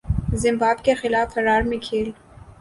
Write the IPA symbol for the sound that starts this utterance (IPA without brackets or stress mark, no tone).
z